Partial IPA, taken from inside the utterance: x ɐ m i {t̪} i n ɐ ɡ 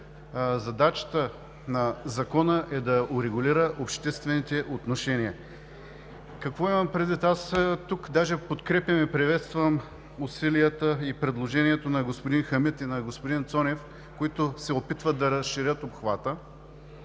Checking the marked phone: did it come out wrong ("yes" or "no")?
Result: no